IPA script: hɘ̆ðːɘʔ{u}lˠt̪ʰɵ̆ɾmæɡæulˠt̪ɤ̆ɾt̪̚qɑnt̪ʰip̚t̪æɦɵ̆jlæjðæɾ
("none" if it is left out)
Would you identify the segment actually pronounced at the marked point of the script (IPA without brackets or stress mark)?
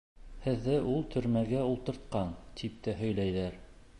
u